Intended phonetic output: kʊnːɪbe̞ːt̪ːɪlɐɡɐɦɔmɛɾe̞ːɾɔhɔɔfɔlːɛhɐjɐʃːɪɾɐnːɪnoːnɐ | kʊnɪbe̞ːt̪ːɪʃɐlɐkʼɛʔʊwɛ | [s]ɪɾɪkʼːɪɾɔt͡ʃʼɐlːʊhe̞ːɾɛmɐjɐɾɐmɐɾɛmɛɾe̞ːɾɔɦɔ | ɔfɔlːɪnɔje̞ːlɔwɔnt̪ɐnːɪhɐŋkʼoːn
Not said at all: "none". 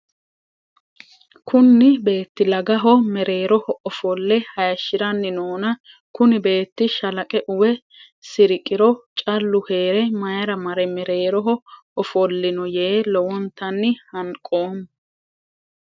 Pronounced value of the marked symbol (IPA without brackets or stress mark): s